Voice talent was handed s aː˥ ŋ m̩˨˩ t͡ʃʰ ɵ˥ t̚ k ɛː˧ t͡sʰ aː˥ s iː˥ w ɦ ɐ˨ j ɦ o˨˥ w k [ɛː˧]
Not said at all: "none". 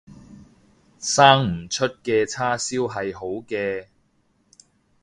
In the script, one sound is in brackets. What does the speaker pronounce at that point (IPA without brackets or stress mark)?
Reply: ɛː˧